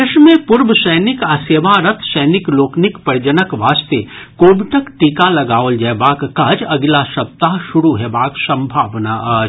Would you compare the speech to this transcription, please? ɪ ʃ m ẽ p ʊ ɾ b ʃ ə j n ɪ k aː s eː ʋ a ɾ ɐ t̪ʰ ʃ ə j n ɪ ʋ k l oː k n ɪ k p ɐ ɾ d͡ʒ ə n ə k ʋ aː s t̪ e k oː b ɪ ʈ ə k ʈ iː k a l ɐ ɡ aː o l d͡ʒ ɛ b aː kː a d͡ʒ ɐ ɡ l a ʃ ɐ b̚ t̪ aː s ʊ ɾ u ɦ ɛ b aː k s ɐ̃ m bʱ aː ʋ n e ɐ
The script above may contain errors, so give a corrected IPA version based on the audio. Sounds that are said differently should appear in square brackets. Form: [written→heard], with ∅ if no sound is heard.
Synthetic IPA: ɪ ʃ m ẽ p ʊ ɾ b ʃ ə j n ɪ k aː s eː ʋ a ɾ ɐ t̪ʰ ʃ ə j n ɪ [ʋ→∅] k l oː k n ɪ k p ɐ ɾ d͡ʒ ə n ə k ʋ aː s t̪ e k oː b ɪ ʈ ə k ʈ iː k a l ɐ ɡ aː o l d͡ʒ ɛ b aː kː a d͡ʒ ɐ ɡ l a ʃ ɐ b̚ t̪ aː [s→ʃ] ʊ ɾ u ɦ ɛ b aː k s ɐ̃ m bʱ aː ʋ n [e→a] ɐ